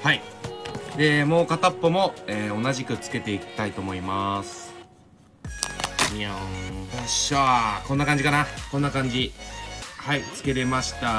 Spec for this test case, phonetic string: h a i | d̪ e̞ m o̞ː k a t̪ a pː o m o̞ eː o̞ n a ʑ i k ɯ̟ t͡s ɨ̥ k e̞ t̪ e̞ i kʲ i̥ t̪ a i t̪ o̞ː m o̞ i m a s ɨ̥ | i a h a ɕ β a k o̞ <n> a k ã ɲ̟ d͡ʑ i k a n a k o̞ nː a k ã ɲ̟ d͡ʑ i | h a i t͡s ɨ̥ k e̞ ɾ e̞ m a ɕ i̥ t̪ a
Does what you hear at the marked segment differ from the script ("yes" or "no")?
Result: yes